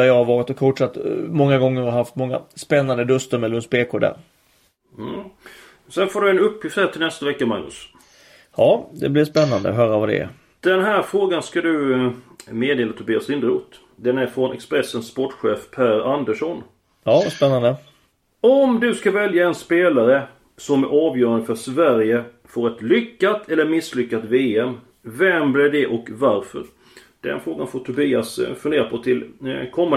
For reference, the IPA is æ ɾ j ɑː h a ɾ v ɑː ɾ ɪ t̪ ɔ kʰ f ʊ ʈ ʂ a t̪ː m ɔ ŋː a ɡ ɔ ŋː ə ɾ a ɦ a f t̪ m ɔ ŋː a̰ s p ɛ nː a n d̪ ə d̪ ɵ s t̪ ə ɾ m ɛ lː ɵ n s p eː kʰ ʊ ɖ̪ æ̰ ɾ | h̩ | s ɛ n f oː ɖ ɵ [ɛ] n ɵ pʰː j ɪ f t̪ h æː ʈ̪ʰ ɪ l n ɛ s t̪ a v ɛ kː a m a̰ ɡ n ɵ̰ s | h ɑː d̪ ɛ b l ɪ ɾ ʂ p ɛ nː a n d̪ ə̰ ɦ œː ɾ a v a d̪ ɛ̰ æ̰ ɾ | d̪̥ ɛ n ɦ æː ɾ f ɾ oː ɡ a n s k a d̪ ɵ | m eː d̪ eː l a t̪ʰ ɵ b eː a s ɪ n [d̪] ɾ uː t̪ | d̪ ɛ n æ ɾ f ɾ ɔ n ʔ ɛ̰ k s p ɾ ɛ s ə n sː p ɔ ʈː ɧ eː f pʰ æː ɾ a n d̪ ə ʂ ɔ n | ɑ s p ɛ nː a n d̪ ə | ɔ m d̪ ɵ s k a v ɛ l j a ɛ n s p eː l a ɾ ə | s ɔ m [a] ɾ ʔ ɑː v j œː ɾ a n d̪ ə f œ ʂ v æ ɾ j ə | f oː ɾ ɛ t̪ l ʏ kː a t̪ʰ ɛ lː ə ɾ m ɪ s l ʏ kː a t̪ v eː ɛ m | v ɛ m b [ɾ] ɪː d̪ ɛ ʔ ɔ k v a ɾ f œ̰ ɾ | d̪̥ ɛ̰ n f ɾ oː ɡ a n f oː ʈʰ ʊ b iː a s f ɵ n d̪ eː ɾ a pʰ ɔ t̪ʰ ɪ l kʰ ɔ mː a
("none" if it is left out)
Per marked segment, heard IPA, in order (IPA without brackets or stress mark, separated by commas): ɛ, d̪, æ, l